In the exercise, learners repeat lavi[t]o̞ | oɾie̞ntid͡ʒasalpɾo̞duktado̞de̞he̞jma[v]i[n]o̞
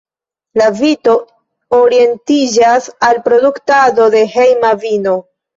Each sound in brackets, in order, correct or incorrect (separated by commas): correct, correct, correct